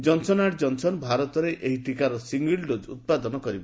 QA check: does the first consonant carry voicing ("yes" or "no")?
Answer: yes